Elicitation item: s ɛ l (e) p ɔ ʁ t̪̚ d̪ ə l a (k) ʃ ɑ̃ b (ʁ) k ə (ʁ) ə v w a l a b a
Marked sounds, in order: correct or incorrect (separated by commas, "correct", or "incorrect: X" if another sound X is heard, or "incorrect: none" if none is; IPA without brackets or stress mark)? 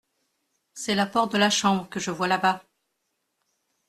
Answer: incorrect: a, incorrect: none, correct, incorrect: ʒ